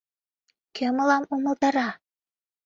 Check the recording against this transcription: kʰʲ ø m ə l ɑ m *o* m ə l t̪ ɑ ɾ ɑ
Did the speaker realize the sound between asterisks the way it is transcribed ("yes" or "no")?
no